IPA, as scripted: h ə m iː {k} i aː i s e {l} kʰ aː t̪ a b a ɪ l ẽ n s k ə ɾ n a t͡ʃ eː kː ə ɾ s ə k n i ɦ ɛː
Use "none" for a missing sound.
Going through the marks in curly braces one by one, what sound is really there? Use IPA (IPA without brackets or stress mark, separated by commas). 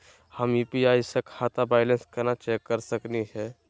p, none